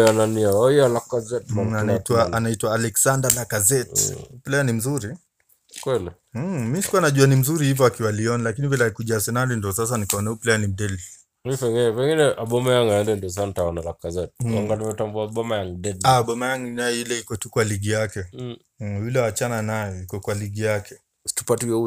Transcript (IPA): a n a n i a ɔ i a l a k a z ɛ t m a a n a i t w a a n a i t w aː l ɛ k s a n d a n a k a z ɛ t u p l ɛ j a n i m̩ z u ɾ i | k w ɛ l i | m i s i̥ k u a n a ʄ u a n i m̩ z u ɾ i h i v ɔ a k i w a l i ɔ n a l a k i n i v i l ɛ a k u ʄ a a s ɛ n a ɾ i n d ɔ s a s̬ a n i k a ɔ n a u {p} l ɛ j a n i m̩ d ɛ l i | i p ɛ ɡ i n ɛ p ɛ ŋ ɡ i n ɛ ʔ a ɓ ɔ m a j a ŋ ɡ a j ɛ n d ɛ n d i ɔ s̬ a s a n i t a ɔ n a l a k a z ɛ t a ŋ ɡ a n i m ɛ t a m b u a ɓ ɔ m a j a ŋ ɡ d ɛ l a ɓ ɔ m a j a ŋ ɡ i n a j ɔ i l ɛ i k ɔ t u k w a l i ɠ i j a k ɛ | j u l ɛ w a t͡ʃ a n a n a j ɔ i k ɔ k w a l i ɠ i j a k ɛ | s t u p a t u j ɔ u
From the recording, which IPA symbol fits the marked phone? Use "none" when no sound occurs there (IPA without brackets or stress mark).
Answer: p